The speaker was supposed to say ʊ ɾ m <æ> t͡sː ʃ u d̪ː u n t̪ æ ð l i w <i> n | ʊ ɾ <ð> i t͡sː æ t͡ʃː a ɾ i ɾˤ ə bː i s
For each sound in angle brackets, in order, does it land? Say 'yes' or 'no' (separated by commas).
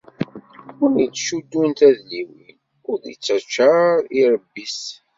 no, yes, yes